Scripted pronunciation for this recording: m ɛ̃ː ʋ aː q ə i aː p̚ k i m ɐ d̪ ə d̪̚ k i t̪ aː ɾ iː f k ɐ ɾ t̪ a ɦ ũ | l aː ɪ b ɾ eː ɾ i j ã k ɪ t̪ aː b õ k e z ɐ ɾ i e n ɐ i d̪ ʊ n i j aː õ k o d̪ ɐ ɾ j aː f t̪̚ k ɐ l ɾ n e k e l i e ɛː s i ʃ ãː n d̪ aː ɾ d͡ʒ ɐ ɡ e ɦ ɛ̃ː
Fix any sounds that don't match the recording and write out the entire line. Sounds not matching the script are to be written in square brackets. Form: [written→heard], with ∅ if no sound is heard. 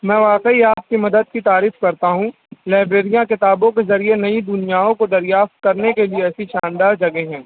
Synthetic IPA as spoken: m ɛ̃ː ʋ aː q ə i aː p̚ k i m ɐ d̪ ə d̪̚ k i t̪ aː ɾ iː f k ɐ ɾ t̪ a ɦ ũ | l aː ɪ b ɾ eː ɾ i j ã k ɪ t̪ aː b õ k e z ɐ ɾ i e n ɐ i d̪ ʊ n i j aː õ k o d̪ ɐ ɾ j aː f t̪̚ k ɐ [l→∅] ɾ n e k e l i e ɛː s i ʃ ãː n d̪ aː ɾ d͡ʒ ɐ ɡ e ɦ ɛ̃ː